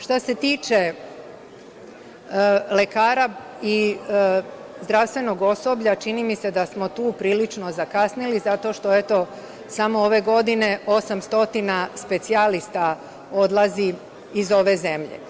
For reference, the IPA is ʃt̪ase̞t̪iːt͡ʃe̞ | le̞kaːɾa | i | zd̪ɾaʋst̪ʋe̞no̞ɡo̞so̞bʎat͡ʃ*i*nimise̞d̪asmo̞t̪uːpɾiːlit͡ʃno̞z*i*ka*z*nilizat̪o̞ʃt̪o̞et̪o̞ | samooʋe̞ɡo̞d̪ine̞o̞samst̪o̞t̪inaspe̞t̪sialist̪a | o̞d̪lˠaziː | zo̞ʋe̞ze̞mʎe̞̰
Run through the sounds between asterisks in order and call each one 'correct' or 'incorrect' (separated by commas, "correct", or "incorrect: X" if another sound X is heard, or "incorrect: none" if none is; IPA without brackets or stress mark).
correct, incorrect: a, incorrect: s